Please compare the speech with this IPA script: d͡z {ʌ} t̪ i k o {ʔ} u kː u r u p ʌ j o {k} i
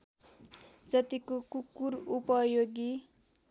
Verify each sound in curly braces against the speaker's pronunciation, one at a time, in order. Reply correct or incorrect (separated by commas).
correct, incorrect, incorrect